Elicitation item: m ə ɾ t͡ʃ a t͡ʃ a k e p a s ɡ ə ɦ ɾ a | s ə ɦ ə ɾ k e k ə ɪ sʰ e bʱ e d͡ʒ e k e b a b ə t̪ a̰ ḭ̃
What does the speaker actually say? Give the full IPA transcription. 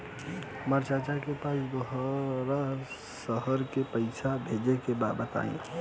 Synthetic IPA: m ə ɾ t͡ʃ a t͡ʃ a k e p a s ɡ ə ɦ ɾ a | s ə ɦ ə ɾ k e p ə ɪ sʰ a bʱ e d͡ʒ e k e b a b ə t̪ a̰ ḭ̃